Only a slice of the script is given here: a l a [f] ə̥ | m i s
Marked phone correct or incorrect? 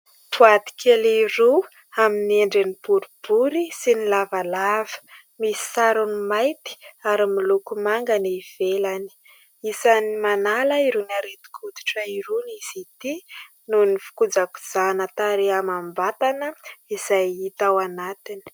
incorrect